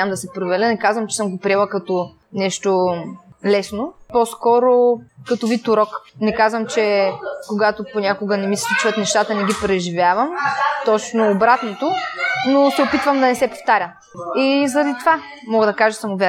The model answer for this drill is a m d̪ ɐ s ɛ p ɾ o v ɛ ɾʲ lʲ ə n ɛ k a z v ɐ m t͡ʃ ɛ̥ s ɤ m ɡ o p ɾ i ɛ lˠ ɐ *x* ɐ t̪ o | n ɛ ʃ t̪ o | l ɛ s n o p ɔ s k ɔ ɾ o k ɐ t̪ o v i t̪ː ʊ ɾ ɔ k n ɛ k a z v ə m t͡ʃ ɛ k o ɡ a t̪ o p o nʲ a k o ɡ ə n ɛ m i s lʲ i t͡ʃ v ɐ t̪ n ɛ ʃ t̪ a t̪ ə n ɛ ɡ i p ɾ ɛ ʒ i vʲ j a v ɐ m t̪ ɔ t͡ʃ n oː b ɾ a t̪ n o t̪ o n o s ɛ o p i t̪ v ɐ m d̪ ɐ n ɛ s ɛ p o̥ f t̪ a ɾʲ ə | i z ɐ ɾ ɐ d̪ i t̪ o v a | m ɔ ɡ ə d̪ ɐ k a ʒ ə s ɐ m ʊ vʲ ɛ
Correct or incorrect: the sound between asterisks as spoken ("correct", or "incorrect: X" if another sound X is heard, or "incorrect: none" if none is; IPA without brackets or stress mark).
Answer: incorrect: k